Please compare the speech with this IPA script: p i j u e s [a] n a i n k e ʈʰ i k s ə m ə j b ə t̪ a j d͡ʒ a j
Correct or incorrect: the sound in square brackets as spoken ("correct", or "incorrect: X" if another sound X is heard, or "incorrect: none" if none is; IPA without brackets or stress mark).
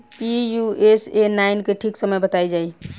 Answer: incorrect: e